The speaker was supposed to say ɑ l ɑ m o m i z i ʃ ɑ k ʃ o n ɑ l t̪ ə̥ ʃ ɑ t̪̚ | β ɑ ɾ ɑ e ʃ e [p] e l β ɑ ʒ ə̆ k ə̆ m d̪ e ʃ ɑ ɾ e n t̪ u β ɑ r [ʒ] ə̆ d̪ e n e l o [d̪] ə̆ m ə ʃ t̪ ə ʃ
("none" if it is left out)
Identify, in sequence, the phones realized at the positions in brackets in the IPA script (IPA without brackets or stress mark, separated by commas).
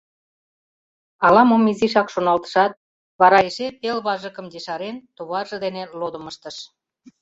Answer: p, ʒ, d̪